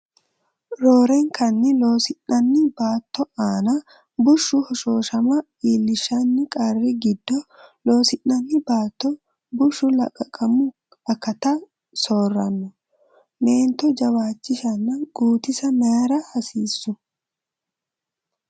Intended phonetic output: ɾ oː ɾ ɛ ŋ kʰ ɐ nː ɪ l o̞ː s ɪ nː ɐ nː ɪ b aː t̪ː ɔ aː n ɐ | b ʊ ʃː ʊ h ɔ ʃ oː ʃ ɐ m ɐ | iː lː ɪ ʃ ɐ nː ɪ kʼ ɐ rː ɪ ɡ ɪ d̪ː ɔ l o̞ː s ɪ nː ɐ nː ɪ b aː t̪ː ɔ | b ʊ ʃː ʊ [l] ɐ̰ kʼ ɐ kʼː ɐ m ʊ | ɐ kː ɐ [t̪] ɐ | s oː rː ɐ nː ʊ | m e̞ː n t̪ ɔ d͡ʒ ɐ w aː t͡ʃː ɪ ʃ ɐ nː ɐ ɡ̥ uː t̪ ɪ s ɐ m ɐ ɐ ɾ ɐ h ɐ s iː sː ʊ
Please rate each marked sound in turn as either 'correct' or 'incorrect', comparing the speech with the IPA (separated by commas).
correct, correct